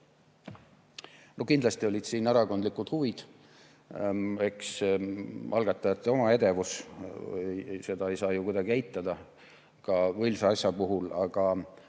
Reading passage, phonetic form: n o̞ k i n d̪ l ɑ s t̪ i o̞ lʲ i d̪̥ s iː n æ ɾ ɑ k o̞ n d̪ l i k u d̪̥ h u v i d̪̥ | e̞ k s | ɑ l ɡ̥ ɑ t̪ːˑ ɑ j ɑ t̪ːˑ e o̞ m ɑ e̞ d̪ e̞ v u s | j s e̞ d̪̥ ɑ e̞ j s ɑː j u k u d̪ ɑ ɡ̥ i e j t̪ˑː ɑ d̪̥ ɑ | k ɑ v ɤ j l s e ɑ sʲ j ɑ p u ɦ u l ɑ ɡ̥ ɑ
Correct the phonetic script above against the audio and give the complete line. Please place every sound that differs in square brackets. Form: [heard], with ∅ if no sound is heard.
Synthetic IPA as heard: n o̞ k i n d̪ l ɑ s t̪ i o̞ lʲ i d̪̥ s iː n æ ɾ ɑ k o̞ n d̪ l i k u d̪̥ h u v i d̪̥ | e̞ k s | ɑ l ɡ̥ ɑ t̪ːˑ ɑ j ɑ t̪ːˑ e o̞ m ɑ e̞ d̪ e̞ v u s | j s e̞ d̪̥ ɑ e̞ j s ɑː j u k u d̪ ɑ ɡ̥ i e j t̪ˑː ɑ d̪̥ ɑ | k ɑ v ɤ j l s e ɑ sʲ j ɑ p u ɦ u l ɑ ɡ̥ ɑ